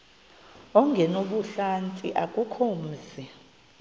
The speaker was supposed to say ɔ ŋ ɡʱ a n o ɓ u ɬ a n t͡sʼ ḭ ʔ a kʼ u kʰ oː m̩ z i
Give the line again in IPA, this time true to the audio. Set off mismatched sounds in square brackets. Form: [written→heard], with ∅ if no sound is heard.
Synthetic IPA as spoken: ɔ ŋ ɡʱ [a→ɛ] n o ɓ u ɬ a n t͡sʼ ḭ ʔ a kʼ u kʰ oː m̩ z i